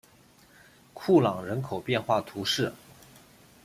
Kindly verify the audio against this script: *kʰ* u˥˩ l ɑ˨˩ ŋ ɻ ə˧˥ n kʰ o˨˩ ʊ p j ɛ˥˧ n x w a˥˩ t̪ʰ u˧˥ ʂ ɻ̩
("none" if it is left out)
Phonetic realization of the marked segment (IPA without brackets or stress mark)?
kʰ